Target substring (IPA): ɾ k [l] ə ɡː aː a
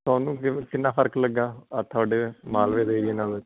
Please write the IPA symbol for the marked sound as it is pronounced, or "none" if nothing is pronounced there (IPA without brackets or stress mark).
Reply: l